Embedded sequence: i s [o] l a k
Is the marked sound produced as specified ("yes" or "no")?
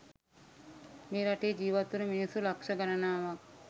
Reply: no